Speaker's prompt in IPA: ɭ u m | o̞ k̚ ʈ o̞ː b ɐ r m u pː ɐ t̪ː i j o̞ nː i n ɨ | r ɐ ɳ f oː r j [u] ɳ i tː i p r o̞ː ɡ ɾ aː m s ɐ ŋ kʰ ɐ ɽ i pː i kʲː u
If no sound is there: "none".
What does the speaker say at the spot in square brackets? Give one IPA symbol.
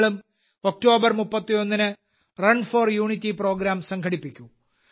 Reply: uː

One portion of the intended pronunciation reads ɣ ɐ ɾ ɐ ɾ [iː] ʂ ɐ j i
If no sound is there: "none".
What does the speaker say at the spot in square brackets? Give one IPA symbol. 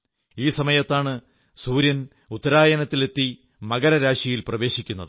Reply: aː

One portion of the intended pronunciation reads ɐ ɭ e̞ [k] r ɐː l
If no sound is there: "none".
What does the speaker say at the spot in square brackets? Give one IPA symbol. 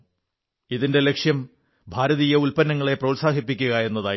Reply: p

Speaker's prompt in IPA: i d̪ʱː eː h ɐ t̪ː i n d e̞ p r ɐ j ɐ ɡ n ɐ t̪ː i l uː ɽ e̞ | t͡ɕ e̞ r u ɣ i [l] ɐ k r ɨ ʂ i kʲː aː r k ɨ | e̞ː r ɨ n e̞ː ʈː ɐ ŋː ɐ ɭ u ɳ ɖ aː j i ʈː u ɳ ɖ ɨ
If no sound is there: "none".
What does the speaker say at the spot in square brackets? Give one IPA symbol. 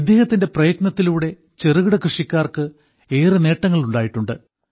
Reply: ɽ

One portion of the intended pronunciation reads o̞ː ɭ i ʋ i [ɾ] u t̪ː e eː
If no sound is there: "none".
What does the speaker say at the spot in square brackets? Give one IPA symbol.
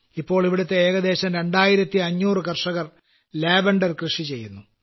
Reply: ɽ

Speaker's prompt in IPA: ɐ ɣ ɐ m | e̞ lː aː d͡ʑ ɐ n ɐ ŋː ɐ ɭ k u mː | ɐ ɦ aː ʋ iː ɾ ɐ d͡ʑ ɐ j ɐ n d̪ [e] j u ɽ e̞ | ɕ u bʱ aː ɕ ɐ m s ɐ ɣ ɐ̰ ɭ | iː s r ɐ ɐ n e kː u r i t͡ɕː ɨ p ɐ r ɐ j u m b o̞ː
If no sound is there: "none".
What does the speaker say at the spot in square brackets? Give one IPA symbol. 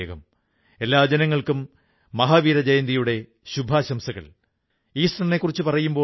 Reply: i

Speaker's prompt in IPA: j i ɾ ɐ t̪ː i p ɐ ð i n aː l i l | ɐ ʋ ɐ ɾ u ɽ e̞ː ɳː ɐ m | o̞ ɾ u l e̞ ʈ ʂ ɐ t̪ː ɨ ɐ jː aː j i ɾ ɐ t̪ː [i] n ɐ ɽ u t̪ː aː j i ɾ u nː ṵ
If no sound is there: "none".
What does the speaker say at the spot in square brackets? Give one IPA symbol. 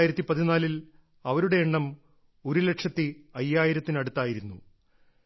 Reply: i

